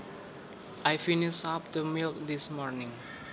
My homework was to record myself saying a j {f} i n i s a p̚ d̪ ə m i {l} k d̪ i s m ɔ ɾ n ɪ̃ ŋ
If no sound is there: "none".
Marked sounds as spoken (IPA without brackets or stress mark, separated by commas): f, l